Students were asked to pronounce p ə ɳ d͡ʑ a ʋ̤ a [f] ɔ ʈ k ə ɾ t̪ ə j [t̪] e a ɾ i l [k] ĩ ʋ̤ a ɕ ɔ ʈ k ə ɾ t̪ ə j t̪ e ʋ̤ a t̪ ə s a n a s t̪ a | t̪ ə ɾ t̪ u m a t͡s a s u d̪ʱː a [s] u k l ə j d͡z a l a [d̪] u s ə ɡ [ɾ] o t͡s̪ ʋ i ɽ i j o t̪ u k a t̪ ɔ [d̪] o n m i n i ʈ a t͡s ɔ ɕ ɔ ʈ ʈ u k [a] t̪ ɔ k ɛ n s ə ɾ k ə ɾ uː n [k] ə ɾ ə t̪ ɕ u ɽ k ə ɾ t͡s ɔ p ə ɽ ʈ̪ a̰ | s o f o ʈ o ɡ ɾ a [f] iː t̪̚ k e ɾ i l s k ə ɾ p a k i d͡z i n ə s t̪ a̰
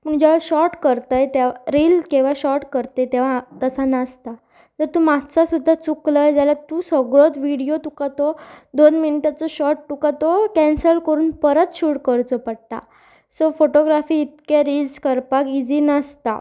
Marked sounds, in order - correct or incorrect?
incorrect: ɕ, correct, correct, incorrect: t͡s, incorrect: t̪, incorrect: ɭ, correct, correct, incorrect: p, correct

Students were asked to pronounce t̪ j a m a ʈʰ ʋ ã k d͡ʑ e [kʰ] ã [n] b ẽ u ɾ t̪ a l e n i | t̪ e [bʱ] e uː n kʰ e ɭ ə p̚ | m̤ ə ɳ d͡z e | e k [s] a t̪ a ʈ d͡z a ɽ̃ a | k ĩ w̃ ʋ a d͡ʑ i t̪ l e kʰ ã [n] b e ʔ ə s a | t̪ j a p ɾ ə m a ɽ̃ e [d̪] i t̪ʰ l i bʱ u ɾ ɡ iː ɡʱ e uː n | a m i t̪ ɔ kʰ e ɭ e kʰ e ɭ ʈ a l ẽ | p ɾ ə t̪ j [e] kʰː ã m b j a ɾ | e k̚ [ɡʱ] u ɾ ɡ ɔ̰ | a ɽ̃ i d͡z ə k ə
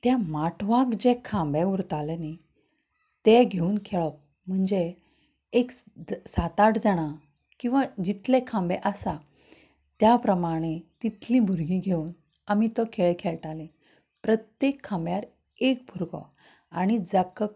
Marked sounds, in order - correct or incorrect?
correct, incorrect: m, incorrect: ɡʱ, correct, incorrect: m, incorrect: t̪, correct, incorrect: bʱ

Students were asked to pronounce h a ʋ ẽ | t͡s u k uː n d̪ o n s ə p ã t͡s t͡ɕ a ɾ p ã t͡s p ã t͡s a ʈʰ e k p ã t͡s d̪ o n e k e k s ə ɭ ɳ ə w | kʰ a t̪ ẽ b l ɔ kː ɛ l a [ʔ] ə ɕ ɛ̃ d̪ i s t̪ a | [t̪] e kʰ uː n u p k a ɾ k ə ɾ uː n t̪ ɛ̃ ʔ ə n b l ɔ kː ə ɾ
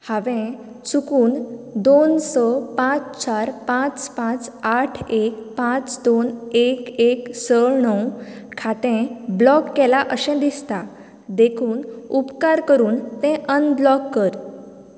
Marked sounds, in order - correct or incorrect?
correct, incorrect: d̪

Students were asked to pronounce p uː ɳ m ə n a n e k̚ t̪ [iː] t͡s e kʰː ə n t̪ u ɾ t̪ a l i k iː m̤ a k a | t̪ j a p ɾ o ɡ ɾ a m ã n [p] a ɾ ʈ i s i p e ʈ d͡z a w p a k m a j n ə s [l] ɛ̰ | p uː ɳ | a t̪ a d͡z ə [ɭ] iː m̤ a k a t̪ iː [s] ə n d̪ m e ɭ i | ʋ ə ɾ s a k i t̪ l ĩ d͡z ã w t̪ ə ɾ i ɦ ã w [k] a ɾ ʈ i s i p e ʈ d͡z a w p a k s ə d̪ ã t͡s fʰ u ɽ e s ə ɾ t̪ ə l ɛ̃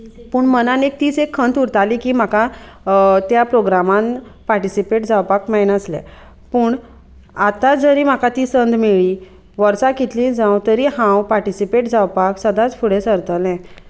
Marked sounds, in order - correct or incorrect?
correct, correct, correct, incorrect: ɾ, correct, incorrect: p

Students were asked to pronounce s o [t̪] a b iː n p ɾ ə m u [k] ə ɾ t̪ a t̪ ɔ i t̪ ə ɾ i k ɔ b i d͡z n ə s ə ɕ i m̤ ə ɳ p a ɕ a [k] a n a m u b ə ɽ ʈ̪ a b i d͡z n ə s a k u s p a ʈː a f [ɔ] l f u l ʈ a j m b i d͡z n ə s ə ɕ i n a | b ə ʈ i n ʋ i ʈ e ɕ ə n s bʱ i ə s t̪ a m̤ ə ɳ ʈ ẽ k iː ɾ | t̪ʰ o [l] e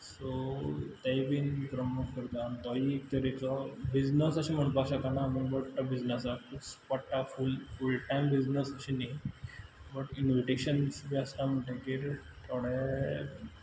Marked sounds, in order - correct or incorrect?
correct, correct, correct, incorrect: u, incorrect: ɽ

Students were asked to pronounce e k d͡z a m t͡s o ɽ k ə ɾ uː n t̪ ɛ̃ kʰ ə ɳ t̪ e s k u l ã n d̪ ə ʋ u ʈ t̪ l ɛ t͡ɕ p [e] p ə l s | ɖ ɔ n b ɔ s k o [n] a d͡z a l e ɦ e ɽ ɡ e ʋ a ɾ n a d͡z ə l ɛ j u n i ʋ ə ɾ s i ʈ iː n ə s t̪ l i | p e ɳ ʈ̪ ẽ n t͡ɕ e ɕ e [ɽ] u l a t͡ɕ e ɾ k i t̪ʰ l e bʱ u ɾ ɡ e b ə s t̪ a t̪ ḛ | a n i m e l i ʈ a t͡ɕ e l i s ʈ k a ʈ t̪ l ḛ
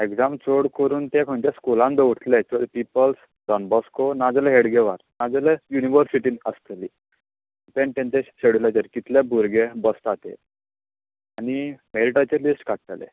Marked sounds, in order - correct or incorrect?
incorrect: i, correct, correct

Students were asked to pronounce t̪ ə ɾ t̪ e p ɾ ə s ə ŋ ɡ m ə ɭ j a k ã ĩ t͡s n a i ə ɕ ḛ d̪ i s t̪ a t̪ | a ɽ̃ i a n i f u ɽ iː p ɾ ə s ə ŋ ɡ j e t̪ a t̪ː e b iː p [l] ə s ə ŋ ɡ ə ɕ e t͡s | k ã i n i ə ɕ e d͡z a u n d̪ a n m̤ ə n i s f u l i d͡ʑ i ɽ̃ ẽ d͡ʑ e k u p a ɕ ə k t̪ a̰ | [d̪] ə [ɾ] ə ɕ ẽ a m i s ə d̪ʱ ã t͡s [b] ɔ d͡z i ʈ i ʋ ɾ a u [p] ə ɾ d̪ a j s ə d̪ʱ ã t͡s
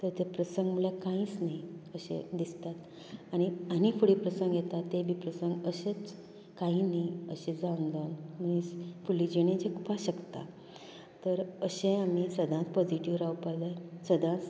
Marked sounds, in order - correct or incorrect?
incorrect: ɾ, incorrect: t̪, correct, incorrect: p, correct

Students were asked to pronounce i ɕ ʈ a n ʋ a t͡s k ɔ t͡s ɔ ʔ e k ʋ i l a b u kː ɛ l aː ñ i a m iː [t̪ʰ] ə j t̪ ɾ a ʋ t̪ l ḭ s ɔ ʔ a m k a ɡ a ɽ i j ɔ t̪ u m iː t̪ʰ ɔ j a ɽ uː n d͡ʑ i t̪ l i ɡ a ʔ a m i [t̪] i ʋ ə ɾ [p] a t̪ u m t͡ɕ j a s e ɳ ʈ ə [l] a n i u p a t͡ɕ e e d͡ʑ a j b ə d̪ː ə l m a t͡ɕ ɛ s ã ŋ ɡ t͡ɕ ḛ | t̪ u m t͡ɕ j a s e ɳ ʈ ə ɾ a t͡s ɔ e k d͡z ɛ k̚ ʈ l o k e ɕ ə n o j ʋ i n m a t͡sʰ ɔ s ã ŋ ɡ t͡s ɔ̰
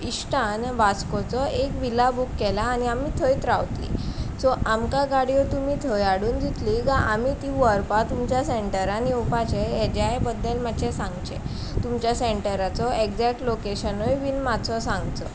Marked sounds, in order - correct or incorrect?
correct, correct, correct, incorrect: ɾ

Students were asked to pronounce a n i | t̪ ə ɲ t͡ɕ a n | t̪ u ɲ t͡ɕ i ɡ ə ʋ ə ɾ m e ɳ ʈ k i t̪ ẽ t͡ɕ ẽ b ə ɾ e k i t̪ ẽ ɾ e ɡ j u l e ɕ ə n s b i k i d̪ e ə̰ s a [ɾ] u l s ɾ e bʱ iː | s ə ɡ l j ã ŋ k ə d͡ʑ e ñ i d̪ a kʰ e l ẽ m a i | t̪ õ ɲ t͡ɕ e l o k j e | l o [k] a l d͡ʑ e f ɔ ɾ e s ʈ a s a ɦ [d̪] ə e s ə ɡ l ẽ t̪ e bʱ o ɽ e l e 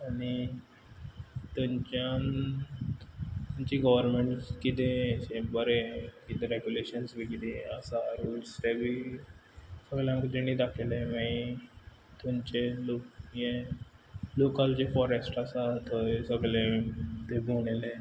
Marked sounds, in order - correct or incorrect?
correct, correct, incorrect: t̪

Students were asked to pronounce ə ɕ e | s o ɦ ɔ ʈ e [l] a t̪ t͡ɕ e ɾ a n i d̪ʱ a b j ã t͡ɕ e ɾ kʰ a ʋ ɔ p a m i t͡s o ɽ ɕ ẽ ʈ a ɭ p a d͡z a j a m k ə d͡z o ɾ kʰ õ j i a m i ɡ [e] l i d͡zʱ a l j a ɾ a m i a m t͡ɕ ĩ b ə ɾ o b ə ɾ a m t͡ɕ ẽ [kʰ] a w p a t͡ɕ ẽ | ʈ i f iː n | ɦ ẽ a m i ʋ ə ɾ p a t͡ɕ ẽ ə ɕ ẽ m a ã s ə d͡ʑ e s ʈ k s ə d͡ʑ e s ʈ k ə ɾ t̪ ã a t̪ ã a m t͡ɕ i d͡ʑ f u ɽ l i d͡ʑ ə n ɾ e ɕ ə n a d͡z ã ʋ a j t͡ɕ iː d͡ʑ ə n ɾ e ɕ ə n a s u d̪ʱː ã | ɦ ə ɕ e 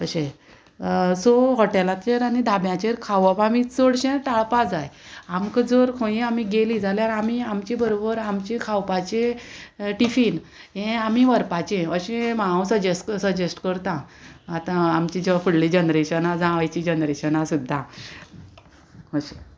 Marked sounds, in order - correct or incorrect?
correct, correct, correct

